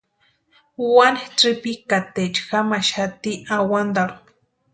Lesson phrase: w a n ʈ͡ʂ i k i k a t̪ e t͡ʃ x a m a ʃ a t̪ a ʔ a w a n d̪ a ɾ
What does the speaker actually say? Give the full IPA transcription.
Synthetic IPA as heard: w a n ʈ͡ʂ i p i k a t̪ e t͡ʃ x a m a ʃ a t̪ i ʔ a w a n d̪ a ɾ